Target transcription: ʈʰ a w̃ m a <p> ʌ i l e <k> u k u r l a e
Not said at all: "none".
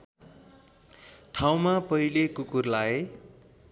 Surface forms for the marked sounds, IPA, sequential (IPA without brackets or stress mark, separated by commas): p, k